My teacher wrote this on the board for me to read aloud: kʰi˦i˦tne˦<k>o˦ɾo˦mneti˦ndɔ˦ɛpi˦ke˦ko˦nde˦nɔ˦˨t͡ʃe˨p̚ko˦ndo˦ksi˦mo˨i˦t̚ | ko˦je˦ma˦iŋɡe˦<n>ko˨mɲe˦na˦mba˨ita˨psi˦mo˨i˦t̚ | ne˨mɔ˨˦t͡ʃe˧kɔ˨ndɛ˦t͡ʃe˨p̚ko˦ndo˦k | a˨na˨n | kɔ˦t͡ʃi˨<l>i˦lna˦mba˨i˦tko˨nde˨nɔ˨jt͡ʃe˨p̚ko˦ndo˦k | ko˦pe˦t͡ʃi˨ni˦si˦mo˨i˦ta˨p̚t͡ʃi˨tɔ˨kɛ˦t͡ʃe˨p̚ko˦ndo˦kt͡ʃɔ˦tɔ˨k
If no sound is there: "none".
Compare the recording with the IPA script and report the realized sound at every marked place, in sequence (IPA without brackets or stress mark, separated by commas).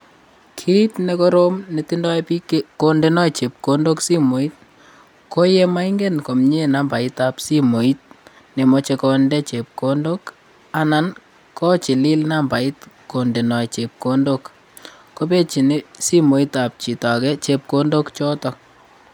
k, n, l